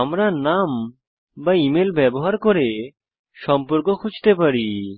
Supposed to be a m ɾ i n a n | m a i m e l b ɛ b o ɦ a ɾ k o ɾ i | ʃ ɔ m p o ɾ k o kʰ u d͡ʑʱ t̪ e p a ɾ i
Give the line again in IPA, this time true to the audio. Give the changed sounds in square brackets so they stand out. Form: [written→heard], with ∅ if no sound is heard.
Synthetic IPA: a m ɾ [i→a] n a [n→m] | [m→b] a i m e l b ɛ b o ɦ a ɾ k o ɾ [i→e] | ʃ ɔ m p o ɾ k o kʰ u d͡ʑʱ t̪ e p a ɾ i